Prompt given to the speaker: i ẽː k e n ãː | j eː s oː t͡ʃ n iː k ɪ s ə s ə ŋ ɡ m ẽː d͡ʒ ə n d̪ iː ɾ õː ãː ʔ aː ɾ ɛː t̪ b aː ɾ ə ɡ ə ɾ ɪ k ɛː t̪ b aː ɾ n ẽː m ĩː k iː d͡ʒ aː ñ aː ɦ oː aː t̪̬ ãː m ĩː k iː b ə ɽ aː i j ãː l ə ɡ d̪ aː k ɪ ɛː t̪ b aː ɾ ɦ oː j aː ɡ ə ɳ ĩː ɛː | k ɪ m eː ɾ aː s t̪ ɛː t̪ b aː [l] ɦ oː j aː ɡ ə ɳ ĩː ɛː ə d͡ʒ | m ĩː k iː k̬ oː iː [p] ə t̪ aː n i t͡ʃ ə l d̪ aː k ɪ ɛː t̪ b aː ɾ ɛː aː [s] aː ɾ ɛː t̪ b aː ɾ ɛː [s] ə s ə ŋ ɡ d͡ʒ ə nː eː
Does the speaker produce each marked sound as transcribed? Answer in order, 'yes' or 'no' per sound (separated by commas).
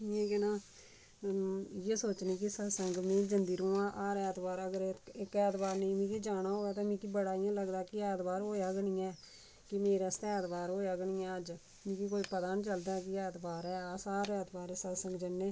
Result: no, yes, yes, yes